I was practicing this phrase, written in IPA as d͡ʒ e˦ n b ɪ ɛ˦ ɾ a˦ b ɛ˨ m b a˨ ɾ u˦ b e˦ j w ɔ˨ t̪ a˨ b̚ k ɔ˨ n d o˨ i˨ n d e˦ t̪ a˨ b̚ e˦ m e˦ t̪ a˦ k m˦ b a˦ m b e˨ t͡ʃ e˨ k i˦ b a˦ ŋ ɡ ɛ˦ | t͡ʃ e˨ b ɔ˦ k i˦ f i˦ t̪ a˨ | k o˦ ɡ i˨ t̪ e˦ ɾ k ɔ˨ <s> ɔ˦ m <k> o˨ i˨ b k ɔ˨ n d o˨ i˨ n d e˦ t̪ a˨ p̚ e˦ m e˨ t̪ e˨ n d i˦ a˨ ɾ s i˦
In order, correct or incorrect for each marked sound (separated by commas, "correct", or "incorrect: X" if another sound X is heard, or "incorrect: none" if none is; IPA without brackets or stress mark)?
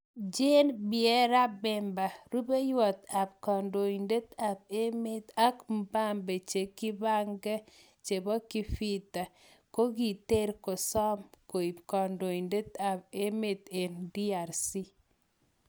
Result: correct, correct